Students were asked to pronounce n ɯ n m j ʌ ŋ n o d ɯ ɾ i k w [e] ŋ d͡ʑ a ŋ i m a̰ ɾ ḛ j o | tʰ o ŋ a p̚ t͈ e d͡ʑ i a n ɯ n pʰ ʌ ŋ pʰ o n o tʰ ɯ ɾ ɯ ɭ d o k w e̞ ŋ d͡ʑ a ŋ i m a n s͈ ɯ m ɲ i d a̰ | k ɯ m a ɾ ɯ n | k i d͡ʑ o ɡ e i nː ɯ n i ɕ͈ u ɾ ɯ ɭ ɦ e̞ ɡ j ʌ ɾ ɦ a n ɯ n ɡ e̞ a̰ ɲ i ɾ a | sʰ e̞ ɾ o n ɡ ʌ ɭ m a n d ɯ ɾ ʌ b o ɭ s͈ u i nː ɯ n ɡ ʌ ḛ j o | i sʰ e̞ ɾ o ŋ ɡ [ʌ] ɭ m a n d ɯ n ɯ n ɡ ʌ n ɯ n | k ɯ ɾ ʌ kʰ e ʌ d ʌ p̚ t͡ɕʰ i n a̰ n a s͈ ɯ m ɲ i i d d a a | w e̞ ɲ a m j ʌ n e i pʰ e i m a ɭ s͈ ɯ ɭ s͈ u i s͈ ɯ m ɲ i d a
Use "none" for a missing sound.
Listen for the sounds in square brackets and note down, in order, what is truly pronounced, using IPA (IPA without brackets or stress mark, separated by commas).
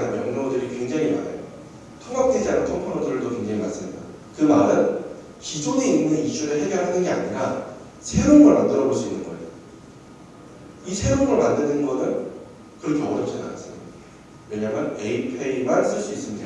e, ʌ